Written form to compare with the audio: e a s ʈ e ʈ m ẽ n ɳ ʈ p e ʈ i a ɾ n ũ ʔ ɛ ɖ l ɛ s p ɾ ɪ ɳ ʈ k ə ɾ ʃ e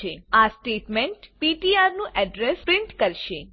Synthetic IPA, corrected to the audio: e a s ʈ e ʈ m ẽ ɳ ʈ p i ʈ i a ɾ n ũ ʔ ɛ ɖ ɾ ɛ s p ɾ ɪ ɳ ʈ k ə ɾ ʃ e